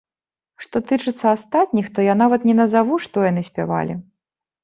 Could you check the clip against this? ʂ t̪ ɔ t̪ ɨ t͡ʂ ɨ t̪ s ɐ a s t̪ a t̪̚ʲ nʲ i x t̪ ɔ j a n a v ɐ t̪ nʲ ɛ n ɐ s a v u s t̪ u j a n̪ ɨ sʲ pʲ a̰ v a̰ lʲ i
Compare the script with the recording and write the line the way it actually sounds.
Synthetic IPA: ʂ t̪ ɔ t̪ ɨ t͡ʂ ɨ t̪ sː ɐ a s t̪ a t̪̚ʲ nʲ i x t̪ ɔ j a n a v ɐ t̪ nʲ ɛ n ɐ z a v u ʂ t̪ ɔ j a n̪ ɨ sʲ pʲ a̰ v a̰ lʲ i